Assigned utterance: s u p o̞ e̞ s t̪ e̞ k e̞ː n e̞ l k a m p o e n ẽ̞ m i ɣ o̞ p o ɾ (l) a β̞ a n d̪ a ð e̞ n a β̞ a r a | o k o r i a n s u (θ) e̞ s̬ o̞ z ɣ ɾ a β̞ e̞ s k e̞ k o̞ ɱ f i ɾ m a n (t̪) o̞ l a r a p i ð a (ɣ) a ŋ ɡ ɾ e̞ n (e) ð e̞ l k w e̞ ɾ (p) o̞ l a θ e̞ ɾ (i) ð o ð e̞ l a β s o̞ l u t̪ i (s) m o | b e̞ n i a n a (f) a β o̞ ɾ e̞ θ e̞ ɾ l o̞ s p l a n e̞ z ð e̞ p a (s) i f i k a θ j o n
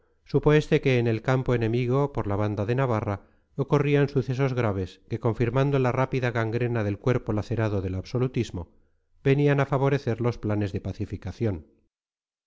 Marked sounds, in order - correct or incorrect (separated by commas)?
correct, correct, incorrect, correct, incorrect, correct, incorrect, incorrect, correct, incorrect